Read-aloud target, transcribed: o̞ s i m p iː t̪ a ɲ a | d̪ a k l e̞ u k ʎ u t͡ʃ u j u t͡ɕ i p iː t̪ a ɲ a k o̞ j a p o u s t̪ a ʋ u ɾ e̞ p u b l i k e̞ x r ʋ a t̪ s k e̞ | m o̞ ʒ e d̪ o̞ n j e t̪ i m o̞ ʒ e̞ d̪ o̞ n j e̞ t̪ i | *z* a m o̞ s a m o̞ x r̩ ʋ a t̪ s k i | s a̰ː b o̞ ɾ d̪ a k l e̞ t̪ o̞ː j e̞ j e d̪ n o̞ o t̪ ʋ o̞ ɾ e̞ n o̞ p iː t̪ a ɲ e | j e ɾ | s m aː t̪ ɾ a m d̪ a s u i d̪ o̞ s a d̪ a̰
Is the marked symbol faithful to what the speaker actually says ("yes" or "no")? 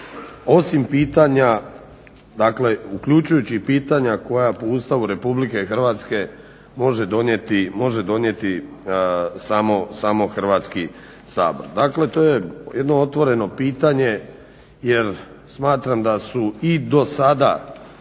no